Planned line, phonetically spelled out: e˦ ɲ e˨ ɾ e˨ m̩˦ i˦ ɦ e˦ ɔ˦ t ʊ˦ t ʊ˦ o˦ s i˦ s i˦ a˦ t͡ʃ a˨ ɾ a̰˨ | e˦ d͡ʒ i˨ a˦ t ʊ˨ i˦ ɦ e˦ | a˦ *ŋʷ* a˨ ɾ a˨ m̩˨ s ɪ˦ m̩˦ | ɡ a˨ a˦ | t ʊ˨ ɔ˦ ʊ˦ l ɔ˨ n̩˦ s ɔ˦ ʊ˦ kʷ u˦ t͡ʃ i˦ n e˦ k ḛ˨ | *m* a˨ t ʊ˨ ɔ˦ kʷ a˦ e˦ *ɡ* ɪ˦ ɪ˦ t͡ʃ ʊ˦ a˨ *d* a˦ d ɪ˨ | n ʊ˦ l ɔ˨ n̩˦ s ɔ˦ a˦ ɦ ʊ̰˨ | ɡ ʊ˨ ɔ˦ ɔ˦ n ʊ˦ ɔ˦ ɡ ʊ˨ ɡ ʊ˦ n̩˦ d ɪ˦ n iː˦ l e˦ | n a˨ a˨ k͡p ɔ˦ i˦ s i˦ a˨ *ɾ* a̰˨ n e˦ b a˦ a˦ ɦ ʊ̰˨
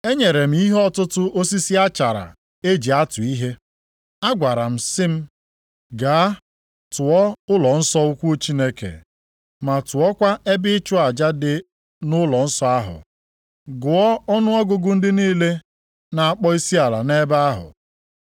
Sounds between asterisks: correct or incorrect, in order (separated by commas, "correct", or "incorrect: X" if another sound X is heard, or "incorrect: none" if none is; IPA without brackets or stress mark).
incorrect: ɡʷ, correct, incorrect: b, incorrect: d͡ʒ, incorrect: l